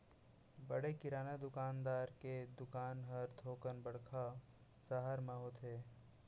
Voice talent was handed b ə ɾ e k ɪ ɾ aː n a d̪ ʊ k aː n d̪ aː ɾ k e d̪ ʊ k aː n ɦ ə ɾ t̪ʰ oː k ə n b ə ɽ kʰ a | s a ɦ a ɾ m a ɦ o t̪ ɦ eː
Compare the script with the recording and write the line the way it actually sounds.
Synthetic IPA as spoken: b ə ɽ e k ɪ ɾ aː n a d̪ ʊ k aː n d̪ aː ɾ k e d̪ ʊ k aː n ɦ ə ɾ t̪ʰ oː k ə n b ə ɽ kʰ a | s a ɦ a ɾ m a ɦ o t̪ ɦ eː